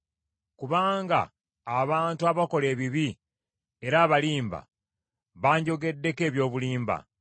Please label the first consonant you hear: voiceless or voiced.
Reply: voiceless